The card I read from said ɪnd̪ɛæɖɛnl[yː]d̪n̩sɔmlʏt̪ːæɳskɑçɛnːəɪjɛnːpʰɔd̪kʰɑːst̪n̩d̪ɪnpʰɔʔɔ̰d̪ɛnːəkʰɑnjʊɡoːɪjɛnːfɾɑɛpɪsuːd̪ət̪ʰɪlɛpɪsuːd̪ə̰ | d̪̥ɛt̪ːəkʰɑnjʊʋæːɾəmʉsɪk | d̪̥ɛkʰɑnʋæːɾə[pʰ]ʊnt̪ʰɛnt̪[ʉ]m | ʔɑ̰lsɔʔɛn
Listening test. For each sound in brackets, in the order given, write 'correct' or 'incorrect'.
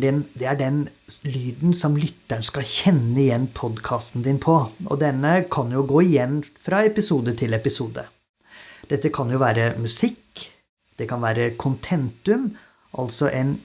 correct, incorrect: kʰ, correct

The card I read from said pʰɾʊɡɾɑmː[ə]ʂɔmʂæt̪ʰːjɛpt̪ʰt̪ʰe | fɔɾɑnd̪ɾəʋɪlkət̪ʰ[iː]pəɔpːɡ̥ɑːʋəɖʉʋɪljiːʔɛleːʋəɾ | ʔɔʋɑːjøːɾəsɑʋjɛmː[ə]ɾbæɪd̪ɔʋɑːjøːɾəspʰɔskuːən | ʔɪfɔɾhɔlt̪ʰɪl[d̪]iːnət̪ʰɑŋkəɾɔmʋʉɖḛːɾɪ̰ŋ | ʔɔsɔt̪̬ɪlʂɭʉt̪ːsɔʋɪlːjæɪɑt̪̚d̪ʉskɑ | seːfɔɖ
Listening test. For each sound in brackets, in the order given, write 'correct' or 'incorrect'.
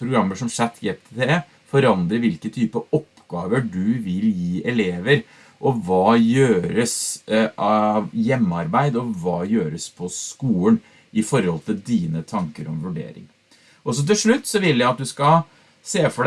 correct, incorrect: yː, incorrect: ɑ, correct

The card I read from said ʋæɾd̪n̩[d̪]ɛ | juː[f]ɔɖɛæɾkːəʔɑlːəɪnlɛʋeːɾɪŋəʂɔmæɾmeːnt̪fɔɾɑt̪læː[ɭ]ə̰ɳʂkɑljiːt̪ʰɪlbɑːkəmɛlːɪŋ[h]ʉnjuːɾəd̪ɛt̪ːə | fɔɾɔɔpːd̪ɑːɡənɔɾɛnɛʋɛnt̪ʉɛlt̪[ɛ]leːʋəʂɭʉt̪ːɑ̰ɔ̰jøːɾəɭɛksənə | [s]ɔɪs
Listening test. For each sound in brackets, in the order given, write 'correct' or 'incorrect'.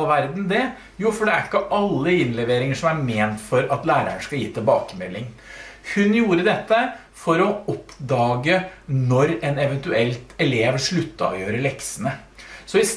correct, correct, incorrect: ɾ, correct, correct, correct

